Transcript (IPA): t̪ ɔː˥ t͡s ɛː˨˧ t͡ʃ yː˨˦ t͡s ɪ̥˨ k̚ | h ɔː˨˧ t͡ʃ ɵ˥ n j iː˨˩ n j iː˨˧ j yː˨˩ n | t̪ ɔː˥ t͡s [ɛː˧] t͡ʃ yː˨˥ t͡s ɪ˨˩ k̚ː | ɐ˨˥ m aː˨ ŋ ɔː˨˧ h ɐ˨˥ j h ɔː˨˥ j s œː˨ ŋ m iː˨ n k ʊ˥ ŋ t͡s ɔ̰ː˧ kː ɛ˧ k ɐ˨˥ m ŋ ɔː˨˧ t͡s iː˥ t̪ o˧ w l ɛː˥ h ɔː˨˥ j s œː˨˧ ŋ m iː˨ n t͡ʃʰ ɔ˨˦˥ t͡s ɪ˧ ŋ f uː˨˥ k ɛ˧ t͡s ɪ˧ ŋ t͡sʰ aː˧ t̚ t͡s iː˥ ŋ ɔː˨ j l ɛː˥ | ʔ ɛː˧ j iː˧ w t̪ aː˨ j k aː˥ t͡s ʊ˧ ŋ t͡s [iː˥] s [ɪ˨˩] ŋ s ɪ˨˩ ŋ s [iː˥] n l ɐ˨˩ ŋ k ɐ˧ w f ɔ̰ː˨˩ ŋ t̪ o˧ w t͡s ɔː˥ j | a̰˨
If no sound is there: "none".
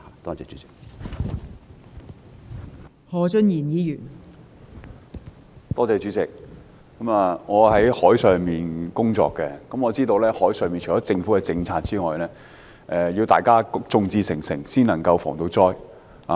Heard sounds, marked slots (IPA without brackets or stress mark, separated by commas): ɛː˧, iː˧, ɪ˨˩, iː˥